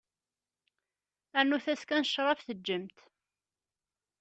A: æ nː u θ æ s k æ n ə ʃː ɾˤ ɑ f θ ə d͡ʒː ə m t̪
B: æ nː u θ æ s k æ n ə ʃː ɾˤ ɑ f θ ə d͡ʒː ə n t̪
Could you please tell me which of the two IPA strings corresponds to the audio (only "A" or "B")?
A